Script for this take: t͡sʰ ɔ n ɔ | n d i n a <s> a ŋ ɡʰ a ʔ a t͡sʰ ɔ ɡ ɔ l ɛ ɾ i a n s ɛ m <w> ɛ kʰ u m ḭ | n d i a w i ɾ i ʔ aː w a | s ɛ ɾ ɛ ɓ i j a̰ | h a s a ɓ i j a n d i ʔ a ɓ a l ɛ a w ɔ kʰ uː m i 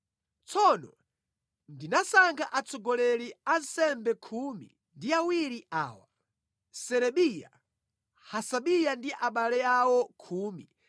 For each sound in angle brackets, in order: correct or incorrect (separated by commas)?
correct, incorrect